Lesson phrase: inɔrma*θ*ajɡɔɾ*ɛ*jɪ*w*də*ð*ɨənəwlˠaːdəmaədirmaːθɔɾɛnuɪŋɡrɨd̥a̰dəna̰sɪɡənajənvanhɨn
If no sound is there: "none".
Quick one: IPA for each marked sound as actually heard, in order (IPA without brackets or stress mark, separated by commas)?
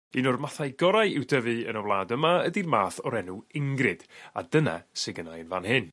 θ, a, w, v